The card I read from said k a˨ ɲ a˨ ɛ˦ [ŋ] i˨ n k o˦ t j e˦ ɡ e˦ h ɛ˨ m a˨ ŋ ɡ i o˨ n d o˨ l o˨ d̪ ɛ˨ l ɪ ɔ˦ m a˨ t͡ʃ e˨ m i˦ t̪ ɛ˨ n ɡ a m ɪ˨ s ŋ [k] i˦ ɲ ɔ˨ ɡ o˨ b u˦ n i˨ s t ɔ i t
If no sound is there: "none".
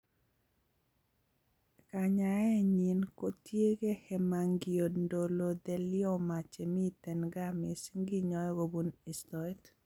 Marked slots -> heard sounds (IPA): ɲ, ɡ

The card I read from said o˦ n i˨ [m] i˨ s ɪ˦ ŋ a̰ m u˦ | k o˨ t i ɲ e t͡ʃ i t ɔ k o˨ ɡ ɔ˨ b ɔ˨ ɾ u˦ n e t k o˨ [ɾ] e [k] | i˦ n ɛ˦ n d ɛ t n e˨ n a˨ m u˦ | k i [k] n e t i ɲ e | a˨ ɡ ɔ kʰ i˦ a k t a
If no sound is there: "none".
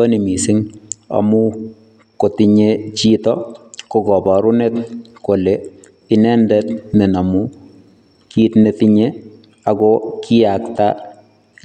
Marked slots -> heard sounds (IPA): m, l, none, t

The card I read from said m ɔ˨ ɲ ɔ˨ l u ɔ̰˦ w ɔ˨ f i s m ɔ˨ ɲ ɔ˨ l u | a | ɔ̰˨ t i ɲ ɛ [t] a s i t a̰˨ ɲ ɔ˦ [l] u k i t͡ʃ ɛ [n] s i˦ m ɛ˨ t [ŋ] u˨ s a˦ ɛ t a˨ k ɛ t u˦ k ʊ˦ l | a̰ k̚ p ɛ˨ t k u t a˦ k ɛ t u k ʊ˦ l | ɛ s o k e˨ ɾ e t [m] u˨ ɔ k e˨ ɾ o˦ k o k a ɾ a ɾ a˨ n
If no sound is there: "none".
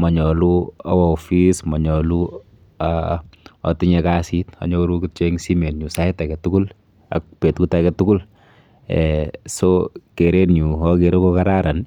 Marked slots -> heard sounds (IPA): k, ɾ, ŋ, ɲ, ɲ

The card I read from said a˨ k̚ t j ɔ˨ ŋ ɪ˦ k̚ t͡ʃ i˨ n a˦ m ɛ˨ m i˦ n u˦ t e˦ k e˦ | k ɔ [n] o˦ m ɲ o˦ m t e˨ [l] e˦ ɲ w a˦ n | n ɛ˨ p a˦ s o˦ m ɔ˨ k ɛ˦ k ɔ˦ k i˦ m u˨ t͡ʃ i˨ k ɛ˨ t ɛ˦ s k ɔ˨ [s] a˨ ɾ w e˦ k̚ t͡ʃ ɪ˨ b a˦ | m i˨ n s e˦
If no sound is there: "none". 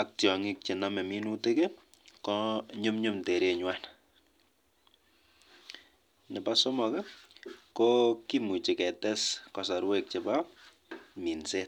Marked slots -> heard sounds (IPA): ɲ, ɾ, s

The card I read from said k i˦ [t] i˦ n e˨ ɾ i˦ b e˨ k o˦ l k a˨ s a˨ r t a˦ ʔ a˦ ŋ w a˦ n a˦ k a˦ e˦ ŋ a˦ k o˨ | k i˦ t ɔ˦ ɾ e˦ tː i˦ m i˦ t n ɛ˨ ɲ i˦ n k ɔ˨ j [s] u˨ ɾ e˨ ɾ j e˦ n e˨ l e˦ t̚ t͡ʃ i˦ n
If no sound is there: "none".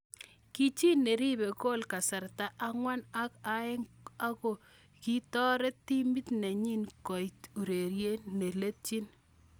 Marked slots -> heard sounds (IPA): t͡ʃ, t

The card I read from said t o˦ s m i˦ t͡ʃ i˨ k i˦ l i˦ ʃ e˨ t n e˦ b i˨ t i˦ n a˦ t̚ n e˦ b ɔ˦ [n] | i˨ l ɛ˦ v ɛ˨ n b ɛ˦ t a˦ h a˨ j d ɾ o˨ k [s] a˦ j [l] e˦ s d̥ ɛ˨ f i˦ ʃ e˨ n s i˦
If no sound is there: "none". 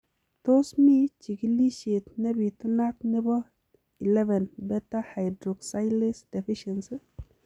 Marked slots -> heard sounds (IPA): none, s, l

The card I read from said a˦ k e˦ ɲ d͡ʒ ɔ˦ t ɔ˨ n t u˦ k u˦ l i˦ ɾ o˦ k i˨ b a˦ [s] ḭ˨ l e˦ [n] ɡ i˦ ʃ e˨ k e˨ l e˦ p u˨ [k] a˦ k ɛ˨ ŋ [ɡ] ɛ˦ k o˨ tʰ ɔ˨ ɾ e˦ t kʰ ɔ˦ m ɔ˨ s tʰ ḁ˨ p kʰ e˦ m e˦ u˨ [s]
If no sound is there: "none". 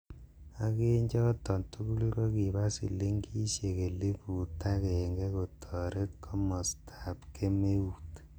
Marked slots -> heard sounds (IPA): s, ŋ, t, ɡ, t

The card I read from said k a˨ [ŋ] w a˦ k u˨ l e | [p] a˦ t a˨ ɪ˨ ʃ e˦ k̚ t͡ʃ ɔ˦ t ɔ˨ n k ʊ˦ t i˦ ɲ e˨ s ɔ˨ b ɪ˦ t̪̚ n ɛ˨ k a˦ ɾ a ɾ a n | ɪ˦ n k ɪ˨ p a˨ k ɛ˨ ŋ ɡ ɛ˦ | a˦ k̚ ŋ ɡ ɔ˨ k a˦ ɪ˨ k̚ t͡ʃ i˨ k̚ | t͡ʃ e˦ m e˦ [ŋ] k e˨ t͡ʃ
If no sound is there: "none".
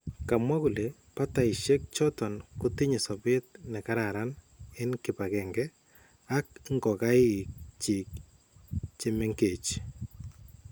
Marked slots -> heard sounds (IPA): m, p, ŋ

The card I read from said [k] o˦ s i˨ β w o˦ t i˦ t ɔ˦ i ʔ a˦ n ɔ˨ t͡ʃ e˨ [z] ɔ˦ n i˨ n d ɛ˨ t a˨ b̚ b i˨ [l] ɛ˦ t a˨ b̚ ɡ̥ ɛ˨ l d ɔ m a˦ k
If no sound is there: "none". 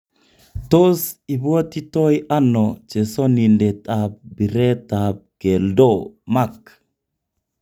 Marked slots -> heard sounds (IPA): t, s, ɾ

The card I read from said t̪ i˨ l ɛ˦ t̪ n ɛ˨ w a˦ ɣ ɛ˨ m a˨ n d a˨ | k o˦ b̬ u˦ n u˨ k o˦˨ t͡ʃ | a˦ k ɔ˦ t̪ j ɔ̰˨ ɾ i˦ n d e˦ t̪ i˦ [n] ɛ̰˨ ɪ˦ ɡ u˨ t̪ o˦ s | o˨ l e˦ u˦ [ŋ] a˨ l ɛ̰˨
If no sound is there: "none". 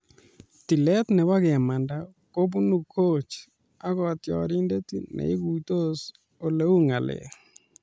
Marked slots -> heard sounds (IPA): n, ŋ

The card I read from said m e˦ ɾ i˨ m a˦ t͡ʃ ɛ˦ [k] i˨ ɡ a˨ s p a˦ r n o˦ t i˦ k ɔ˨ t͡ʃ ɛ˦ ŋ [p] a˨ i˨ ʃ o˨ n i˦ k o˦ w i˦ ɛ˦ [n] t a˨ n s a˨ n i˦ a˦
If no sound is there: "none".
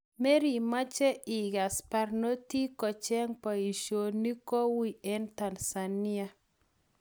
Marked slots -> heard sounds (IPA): none, p, n

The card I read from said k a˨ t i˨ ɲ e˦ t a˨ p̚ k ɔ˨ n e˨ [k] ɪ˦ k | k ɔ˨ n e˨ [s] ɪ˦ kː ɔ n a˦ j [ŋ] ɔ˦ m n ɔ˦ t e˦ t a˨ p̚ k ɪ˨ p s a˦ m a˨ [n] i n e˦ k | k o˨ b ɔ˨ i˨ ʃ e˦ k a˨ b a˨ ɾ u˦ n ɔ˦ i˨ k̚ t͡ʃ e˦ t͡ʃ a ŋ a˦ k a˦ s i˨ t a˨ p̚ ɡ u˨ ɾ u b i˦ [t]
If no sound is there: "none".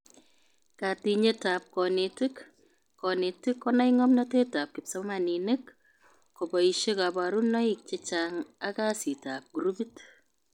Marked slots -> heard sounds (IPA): t, t, ŋ, n, t

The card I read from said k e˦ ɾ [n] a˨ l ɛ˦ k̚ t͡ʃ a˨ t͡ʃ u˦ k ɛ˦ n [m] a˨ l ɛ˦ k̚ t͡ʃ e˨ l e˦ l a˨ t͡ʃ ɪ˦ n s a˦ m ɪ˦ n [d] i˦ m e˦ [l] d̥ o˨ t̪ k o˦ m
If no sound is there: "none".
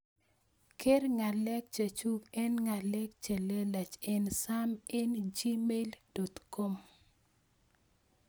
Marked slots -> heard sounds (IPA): ŋ, ŋ, d͡ʒ, l

